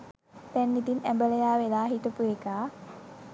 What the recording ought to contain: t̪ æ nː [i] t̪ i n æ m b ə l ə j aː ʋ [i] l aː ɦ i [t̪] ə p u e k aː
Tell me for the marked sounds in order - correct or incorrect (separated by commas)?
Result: correct, incorrect, correct